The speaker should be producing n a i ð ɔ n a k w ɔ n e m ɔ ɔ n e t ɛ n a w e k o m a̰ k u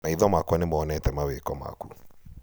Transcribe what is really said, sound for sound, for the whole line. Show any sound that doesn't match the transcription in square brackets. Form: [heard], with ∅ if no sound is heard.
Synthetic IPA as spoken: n a i ð ɔ [m] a k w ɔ n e m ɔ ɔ n [ɛ] t ɛ [m] a w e k [ɔ] m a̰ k u